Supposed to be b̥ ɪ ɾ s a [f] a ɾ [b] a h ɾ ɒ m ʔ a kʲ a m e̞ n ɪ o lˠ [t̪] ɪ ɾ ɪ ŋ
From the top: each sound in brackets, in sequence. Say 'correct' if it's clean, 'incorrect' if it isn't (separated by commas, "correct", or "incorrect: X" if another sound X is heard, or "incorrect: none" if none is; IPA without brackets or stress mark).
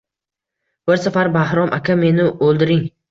correct, correct, incorrect: d̪